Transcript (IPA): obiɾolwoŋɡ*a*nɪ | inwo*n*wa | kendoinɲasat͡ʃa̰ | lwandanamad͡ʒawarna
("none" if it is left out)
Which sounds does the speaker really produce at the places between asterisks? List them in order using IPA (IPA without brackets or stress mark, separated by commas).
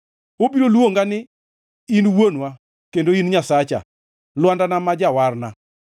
a, n